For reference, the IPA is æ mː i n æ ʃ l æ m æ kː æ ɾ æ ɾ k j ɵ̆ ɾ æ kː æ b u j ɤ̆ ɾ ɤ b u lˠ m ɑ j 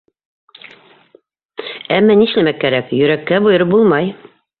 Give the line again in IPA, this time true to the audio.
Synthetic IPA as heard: æ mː æ n i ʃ l æ m æ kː æ ɾ æ k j ɵ̆ ɾ æ kː æ b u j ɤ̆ ɾ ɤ b u lˠ m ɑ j